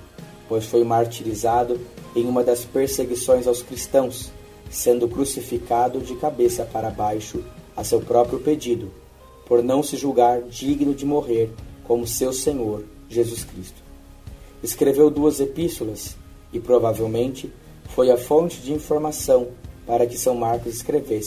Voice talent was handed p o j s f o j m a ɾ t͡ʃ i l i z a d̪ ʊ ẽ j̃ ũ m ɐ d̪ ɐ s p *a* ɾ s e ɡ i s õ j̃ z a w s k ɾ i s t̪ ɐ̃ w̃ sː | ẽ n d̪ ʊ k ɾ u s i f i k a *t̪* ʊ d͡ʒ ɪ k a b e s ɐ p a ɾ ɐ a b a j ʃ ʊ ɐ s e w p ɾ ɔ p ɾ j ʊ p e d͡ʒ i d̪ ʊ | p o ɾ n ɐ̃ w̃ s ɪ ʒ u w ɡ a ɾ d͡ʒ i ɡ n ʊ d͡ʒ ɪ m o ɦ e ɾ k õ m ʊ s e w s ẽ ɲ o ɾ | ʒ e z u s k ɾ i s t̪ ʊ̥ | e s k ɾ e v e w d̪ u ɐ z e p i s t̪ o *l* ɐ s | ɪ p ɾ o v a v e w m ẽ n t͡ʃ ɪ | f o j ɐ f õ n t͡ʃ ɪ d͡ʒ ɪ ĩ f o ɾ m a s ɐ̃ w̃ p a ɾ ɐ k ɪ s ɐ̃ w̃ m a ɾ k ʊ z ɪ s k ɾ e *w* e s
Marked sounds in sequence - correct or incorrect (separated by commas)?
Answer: incorrect, incorrect, correct, incorrect